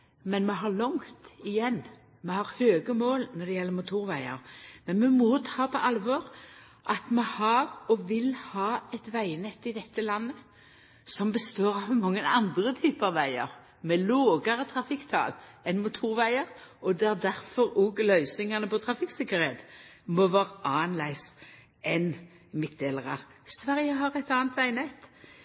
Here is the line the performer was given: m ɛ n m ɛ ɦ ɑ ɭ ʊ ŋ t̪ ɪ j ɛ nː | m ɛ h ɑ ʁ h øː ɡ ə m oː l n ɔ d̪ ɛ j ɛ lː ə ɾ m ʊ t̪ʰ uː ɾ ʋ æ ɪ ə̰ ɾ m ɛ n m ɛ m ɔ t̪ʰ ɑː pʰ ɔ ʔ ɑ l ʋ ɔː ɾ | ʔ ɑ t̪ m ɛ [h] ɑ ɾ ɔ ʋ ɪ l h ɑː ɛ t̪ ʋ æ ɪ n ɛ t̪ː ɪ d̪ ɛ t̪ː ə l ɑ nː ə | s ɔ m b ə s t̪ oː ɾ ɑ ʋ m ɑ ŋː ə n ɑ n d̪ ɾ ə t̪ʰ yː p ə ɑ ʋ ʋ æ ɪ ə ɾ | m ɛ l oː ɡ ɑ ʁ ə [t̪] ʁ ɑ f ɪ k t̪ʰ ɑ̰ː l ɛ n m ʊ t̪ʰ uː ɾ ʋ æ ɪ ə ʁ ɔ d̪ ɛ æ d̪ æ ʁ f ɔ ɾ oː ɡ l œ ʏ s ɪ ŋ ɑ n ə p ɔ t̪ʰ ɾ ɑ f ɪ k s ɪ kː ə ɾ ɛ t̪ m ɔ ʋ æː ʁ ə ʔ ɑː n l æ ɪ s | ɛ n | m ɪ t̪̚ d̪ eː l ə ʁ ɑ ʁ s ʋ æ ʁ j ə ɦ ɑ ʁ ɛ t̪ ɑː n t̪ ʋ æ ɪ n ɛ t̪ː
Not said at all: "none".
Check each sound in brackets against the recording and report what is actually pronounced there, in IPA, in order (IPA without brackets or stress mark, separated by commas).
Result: h, t̪ʰ